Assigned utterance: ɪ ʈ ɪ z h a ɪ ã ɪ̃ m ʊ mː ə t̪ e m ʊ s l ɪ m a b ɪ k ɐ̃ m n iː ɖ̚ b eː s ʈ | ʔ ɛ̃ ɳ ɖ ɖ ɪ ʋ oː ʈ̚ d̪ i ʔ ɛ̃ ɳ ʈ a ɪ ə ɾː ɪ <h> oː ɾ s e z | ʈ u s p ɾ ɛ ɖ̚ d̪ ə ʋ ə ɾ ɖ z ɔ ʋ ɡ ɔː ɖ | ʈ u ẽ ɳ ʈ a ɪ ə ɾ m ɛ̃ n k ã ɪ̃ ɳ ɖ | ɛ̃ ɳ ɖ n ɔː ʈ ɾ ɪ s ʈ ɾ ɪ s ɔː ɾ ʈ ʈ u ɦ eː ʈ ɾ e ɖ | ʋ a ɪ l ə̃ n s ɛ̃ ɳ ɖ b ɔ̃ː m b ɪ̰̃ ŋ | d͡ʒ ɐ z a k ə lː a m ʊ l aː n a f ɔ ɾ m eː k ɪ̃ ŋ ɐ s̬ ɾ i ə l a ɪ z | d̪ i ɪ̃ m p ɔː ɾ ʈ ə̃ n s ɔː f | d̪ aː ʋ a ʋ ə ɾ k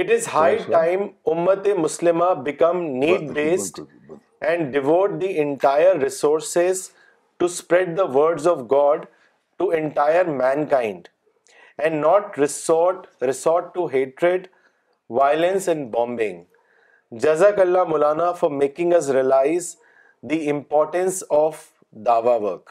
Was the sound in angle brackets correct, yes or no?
no